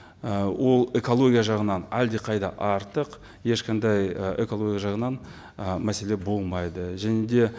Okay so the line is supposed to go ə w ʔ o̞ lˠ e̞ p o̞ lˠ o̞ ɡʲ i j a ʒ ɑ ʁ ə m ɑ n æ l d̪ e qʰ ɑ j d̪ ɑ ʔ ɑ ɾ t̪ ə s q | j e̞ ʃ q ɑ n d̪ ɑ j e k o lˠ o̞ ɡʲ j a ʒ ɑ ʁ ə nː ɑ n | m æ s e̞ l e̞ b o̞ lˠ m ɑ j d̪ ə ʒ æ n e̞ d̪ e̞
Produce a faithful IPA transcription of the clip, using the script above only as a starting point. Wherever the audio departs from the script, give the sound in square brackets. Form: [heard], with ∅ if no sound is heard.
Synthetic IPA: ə w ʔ o̞ lˠ e̞ [k] o̞ lˠ o̞ ɡʲ i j a ʒ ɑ ʁ ə [n] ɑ n æ l d̪ e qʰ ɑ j d̪ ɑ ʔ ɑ ɾ t̪ ə [∅] q | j e̞ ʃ q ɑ n d̪ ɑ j e k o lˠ o̞ ɡʲ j a ʒ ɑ ʁ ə [n] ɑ n | m æ s e̞ l e̞ b o̞ lˠ m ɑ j d̪ ə ʒ æ n e̞ d̪ e̞